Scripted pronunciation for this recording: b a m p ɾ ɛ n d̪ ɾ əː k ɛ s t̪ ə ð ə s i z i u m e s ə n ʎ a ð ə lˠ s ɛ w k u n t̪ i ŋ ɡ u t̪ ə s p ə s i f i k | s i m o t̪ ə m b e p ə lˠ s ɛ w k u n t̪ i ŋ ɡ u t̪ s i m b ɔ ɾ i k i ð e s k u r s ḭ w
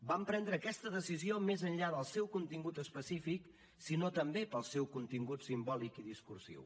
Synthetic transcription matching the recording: b a m p ɾ ɛ n d̪ ɾ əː k ɛ s t̪ ə ð ə s i z i o m e z ə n ʎ a ð ə lˠ s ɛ w k u n t̪ i ŋ ɡ u t̪ ə s p ə s i f i k | s i n o t̪ ə m b e p ə lˠ s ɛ w k u n t̪ i ŋ ɡ u t̪ s i m b ɔ l i k i ð i s k u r s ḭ w